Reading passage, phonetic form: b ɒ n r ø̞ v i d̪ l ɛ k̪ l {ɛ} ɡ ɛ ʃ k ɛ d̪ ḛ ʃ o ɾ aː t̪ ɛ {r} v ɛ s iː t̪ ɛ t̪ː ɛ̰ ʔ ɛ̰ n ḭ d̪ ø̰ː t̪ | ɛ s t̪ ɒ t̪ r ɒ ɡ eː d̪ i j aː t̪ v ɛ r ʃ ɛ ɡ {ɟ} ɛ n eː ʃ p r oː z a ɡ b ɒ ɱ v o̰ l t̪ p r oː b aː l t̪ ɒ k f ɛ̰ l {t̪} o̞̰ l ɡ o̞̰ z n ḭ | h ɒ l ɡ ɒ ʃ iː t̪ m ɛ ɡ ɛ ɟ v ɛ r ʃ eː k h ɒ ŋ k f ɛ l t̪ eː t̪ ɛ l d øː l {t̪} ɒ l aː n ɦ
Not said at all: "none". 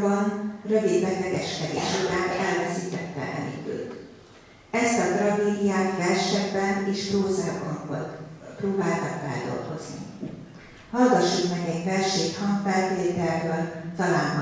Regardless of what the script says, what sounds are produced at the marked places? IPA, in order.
ɛ, l, b, d̪, t̪

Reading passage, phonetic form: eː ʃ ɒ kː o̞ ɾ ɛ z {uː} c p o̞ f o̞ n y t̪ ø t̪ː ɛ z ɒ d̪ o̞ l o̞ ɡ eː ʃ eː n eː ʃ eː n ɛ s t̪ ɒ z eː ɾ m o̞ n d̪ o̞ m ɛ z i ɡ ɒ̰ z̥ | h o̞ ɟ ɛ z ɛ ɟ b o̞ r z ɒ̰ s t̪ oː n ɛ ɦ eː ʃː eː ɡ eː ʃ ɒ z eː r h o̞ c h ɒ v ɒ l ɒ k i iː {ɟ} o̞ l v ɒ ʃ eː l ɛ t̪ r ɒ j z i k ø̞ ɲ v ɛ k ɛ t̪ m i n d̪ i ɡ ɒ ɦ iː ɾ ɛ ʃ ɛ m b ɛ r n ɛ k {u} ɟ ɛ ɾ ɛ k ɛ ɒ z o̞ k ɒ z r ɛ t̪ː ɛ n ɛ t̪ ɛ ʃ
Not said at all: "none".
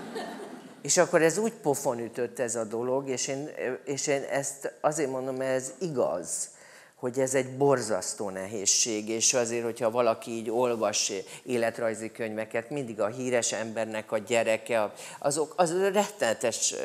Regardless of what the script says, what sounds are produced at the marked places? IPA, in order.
uː, ɟ, ɒ

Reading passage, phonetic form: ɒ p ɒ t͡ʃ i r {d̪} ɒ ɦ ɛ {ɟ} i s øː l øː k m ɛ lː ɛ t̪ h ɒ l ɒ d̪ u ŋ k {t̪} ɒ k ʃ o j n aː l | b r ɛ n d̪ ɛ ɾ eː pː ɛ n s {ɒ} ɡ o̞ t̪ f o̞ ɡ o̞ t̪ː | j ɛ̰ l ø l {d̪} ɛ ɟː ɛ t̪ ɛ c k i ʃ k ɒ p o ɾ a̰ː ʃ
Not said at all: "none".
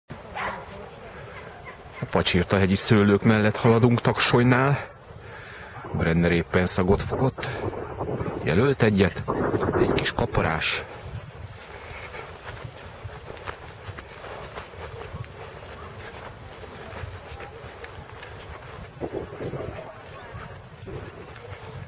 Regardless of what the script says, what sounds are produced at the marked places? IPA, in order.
t̪, ɟ, t̪, ɒ, t̪

